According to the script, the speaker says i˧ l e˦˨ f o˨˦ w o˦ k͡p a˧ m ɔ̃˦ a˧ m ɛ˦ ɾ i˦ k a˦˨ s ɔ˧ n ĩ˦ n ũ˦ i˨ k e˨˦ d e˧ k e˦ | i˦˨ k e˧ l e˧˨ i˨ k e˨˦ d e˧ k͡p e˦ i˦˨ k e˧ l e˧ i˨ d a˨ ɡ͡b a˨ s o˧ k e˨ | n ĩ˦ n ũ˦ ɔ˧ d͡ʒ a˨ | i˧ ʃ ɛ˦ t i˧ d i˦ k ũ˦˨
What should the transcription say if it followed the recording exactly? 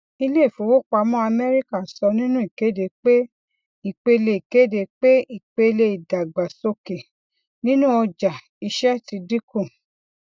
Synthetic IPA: i˧ l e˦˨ f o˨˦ w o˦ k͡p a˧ m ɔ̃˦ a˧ m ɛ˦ ɾ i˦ k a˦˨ s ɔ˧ n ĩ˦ n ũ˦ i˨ k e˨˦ d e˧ k͡p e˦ | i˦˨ k͡p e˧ l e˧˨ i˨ k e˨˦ d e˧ k͡p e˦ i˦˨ k͡p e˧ l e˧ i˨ d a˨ ɡ͡b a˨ s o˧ k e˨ | n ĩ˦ n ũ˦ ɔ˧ d͡ʒ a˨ | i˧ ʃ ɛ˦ t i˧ d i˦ k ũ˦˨

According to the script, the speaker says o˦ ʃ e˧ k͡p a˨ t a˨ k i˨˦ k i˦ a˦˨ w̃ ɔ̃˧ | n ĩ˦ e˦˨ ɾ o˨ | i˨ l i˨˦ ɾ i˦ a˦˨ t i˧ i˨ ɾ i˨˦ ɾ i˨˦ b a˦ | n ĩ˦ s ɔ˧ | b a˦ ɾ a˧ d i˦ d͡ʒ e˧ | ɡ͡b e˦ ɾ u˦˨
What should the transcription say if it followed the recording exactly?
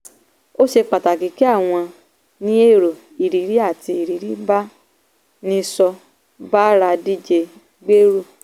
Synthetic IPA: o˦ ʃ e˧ k͡p a˨ t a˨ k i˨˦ k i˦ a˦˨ w̃ ɔ̃˧ | n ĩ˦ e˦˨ ɾ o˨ | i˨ ɾ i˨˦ ɾ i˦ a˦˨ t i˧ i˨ ɾ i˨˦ ɾ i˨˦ b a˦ | n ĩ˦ s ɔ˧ | b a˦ ɾ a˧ d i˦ d͡ʒ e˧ | ɡ͡b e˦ ɾ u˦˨

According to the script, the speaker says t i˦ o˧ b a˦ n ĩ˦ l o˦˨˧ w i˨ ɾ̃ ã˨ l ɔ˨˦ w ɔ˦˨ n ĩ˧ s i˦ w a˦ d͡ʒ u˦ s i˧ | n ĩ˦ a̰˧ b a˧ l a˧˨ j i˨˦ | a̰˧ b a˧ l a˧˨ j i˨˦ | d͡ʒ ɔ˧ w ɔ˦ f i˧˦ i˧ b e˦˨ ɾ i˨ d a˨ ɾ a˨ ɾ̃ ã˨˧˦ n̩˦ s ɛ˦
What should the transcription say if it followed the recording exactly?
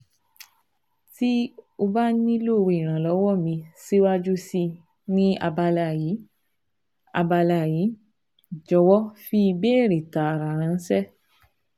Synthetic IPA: t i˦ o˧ b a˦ n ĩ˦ l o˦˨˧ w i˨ ɾ̃ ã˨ l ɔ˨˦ w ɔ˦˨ m ĩ˧ s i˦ w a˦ d͡ʒ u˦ s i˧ | n ĩ˦ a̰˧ b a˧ l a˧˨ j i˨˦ | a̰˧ b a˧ l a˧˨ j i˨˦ | d͡ʒ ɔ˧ w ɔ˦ f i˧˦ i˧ b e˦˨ ɾ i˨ t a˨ ɾ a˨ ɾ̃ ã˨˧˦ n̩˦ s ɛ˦

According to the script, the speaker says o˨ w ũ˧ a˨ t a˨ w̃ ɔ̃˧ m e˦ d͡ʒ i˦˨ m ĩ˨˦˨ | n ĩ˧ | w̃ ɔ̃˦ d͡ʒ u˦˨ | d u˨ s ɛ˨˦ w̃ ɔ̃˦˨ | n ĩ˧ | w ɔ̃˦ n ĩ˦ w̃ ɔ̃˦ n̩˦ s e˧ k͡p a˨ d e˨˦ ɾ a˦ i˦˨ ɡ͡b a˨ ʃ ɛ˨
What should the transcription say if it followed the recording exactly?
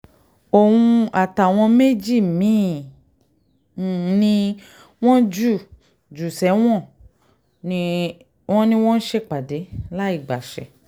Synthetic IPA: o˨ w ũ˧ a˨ t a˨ w̃ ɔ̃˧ m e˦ d͡ʒ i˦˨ m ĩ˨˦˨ | n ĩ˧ | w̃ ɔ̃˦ d͡ʒ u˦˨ | d͡ʒ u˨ s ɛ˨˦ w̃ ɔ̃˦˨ | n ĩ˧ | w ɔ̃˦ n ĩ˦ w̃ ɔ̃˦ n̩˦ ʃ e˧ k͡p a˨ d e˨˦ l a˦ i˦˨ ɡ͡b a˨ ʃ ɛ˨

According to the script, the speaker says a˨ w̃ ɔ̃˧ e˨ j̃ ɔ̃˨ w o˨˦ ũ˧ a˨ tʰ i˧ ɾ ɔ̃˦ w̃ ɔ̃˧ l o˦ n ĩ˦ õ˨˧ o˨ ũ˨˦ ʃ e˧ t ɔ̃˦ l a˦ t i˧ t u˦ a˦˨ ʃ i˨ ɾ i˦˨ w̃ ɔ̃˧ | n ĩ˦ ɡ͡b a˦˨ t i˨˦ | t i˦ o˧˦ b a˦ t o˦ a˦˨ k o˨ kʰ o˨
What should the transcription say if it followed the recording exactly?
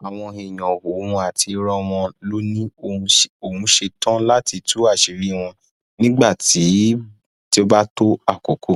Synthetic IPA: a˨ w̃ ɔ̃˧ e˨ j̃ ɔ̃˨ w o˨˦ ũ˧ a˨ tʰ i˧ ɾ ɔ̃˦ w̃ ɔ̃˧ l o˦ n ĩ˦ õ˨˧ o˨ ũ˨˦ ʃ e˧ t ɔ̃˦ l a˦ t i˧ t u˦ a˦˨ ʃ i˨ ɾ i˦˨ w̃ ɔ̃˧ | n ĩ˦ ɡ͡b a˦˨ t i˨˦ | t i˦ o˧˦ b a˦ t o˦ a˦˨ k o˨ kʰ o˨

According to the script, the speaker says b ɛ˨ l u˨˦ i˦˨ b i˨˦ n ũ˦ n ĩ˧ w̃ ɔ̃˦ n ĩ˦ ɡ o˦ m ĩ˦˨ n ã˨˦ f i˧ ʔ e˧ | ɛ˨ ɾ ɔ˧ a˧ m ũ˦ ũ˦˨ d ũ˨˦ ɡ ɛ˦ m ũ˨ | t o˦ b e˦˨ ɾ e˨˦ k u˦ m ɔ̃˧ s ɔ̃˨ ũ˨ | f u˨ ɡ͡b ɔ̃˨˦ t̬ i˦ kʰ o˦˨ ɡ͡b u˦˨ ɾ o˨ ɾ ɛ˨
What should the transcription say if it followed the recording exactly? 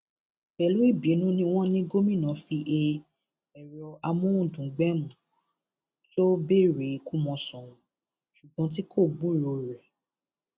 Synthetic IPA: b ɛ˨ l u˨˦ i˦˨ b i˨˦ n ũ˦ n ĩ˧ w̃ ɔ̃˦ n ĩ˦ ɡ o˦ m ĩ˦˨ n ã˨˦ f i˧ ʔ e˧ | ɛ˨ ɾ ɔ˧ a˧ m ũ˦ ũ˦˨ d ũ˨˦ ɡ͡b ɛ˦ m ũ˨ | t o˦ b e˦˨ ɾ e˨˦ k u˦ m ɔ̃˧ s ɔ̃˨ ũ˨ | ʃ u˨ ɡ͡b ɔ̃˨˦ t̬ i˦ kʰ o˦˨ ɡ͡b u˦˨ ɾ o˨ ɾ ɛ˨

